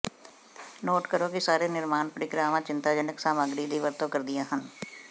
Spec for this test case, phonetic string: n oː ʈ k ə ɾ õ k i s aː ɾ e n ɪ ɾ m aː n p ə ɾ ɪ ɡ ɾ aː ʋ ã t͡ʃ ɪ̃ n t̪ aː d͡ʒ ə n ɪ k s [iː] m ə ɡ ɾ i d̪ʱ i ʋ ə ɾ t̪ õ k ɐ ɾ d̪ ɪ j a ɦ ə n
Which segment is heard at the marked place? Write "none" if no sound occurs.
aː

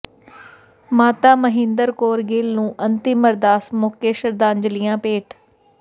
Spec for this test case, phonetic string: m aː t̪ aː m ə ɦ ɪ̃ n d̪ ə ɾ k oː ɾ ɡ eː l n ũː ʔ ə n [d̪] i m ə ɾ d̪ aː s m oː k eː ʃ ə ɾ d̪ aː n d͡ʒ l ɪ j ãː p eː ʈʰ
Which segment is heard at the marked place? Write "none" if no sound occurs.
t̪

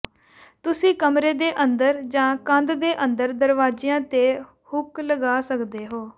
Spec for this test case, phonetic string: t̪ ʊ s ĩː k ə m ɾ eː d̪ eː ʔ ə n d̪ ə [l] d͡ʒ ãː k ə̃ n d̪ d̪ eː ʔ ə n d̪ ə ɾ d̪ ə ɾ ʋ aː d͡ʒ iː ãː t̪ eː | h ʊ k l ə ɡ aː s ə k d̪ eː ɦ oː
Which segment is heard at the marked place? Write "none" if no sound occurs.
ɾ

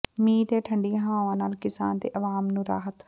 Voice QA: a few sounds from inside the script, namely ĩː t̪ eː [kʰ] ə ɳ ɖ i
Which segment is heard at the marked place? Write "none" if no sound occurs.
ʈʰ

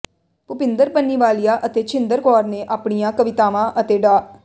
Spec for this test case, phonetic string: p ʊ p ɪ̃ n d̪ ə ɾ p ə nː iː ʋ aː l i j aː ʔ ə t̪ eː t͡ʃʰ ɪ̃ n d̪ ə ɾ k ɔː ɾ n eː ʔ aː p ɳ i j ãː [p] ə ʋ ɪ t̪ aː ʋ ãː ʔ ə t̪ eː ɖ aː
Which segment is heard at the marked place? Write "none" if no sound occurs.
k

